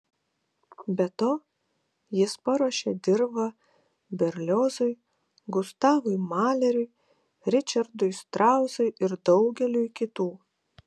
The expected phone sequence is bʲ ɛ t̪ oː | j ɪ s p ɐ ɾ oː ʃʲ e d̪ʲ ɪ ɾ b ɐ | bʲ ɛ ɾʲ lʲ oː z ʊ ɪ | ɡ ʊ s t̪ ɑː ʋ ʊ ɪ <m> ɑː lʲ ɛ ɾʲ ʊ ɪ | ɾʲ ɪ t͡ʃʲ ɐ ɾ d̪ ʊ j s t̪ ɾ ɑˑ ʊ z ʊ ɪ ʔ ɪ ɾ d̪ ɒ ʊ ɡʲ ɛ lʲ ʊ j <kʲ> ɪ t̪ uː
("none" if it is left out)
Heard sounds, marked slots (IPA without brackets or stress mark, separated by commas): m, kʲ